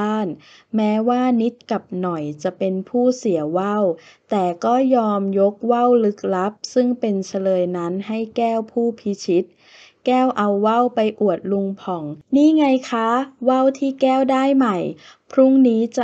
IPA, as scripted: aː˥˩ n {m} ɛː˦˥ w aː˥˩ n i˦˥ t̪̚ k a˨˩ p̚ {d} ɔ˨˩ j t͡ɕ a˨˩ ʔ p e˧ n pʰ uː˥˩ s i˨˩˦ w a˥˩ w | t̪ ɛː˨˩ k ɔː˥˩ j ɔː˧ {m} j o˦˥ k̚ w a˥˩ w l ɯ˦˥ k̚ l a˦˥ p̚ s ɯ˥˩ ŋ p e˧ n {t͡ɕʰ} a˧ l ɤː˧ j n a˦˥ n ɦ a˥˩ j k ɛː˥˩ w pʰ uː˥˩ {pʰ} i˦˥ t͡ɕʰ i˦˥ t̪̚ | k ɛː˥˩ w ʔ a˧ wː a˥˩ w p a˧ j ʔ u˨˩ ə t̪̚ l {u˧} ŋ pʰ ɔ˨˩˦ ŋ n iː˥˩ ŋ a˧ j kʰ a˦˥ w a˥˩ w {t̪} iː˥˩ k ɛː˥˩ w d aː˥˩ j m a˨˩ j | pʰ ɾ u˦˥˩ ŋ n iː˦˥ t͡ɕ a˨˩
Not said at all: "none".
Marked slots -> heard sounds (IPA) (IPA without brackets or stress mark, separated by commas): m, n, m, t͡ɕʰ, pʰ, u˧, t̪ʰ